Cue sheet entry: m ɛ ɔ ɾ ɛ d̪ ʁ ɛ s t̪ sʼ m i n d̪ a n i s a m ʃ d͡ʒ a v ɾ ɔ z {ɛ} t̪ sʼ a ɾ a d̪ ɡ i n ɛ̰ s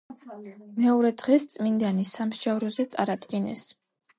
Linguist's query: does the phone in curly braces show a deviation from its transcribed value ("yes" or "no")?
no